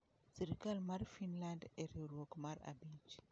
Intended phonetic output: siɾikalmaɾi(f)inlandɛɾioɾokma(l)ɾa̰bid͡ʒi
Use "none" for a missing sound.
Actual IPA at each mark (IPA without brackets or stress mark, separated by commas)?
f, none